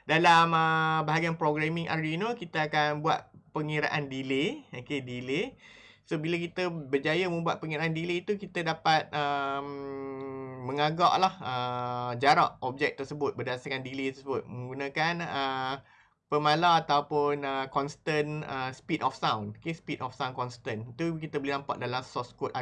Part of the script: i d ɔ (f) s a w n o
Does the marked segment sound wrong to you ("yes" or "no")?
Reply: no